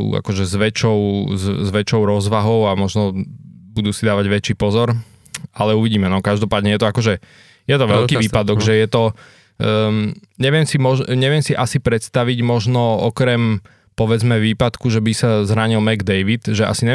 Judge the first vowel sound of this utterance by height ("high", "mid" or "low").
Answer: low